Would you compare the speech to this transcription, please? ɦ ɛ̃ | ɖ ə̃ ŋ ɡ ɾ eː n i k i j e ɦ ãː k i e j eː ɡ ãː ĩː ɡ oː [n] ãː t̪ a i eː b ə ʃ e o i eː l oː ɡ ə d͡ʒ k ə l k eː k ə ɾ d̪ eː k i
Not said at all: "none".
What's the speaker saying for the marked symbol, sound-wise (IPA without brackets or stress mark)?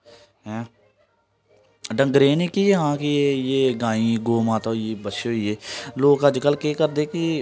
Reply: m